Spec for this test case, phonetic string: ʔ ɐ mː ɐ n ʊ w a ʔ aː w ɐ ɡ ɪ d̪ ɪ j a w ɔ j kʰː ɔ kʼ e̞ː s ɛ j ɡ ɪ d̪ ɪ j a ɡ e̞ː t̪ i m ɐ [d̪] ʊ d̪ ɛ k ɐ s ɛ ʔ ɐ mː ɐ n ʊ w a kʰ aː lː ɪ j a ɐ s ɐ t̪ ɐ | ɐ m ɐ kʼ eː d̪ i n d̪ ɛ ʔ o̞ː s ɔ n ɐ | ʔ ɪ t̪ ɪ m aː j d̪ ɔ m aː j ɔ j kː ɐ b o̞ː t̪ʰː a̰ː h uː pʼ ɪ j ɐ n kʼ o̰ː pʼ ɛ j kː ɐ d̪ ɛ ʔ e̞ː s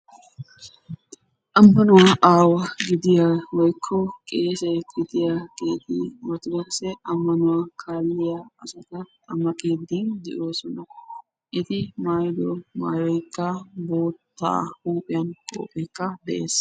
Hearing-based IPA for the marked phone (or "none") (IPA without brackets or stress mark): t̪